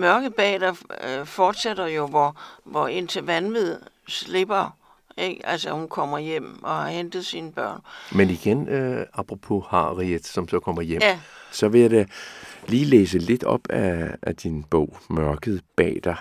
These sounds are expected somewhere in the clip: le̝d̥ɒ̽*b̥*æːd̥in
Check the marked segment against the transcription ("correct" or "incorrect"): correct